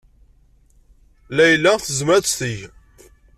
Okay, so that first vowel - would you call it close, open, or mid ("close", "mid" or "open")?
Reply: open